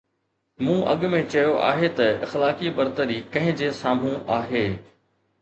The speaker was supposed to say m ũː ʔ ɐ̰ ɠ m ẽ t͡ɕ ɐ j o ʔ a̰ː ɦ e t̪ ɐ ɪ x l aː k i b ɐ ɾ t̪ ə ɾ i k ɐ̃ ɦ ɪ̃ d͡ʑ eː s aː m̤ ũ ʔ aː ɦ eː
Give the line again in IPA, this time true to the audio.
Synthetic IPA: m ũː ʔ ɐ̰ ɠ m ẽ t͡ɕ ɐ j o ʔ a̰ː ɦ e t̪ ɐ ɪ x l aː k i b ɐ ɾ t̪ ə ɾ i k ɐ̃ ɦ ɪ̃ d͡ʑ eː s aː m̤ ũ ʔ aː ɦ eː